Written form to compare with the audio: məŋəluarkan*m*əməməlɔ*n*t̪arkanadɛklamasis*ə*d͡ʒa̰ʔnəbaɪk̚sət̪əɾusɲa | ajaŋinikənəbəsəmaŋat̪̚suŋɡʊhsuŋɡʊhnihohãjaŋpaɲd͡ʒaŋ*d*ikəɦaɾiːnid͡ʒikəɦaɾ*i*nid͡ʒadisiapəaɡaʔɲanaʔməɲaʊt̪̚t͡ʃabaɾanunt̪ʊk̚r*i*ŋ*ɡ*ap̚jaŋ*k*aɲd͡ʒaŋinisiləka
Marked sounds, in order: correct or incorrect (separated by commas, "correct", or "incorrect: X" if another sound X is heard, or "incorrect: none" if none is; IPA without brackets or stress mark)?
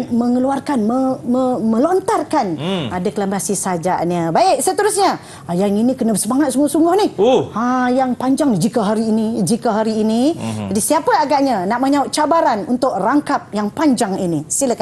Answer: correct, correct, incorrect: a, incorrect: d͡ʒ, incorrect: iː, incorrect: a, incorrect: k, incorrect: p